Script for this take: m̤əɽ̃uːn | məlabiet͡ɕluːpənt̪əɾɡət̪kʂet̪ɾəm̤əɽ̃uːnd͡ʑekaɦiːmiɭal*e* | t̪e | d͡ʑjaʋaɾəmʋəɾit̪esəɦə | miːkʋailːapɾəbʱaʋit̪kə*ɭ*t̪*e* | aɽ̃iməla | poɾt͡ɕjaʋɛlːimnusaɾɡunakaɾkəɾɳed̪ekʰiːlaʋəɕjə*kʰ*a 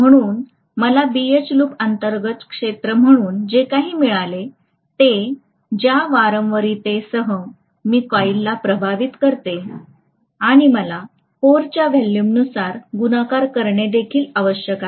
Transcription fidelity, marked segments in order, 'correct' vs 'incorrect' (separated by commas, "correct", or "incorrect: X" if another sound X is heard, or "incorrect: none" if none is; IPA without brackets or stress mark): correct, incorrect: ɾ, correct, incorrect: k